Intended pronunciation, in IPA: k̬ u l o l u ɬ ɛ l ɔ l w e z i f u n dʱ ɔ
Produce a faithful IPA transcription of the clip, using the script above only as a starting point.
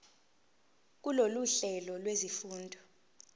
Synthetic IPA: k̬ u l o l u ɬ ɛ l ɔ l w e z i f uː n dʱ ɔ